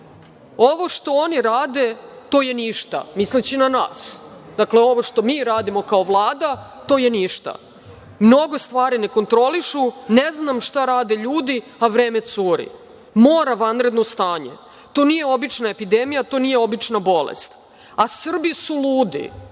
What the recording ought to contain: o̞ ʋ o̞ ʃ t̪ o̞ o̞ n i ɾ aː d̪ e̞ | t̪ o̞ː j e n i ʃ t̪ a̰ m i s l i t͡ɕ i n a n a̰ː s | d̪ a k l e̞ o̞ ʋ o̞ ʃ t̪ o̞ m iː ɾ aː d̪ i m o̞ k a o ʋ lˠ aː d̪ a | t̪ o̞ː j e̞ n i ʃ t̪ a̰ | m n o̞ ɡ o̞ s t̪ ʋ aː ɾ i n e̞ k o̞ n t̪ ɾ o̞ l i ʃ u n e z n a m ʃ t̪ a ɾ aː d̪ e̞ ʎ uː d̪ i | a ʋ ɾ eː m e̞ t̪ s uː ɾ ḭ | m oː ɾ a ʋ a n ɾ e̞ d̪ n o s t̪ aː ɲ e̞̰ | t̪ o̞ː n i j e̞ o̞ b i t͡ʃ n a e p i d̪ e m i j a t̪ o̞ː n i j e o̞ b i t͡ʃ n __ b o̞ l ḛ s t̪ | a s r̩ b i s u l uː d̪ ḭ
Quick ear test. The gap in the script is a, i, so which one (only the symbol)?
a